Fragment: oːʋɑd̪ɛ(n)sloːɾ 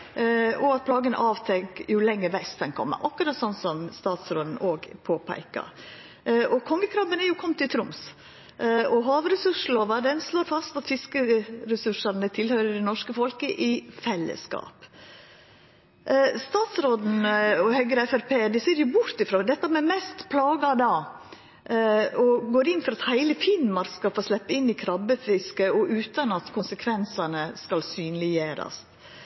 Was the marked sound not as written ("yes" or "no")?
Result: no